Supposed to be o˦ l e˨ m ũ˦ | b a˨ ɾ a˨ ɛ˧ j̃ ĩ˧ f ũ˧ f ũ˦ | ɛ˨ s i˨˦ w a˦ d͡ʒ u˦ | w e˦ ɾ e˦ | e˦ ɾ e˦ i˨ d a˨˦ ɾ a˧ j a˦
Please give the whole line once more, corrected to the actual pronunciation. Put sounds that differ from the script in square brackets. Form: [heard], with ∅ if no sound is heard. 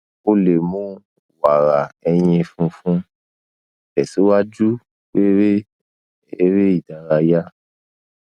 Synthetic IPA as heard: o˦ l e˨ m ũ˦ | [w] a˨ ɾ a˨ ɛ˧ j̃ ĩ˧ f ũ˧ f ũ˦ | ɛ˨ s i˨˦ w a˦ d͡ʒ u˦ | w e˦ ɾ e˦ | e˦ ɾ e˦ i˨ d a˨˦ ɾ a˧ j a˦